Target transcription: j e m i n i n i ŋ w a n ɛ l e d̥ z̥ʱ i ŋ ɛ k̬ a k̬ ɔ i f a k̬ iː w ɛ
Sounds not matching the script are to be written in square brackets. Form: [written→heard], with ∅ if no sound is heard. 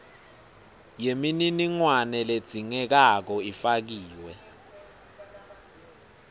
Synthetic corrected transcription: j e m i n i n i ŋ w a n ɛ l e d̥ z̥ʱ i ŋ ɛ k̬ a k̬ ɔ i f a k̬ iː w ɛ